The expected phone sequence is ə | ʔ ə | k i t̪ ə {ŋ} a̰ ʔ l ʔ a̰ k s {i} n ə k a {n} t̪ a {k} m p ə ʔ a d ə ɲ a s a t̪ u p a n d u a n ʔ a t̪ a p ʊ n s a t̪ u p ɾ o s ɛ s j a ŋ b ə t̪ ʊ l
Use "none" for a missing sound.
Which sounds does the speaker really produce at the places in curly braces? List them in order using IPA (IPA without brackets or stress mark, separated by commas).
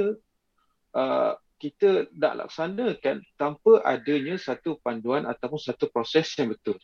n, a, n, none